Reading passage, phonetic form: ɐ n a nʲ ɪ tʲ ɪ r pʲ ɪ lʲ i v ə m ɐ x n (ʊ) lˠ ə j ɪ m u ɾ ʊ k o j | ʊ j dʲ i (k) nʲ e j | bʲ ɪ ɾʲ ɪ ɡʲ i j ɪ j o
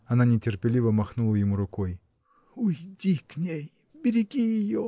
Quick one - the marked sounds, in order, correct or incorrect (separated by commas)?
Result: incorrect, correct